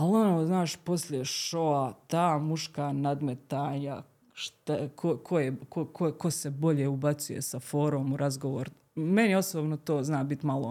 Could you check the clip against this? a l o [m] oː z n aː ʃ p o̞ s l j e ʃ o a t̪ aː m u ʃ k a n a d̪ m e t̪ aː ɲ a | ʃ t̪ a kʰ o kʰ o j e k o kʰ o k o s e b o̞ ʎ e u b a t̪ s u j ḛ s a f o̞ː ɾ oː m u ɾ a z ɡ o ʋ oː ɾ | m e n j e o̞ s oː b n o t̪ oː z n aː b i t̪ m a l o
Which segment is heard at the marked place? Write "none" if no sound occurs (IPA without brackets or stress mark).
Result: n